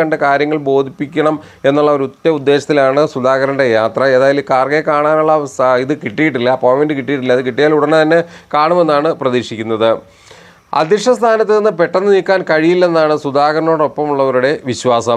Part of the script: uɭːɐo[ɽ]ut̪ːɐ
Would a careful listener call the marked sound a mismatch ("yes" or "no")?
yes